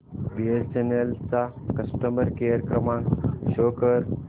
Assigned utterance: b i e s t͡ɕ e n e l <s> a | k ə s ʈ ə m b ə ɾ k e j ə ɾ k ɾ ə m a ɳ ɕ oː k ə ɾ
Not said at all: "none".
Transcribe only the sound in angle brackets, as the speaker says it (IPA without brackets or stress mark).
t͡s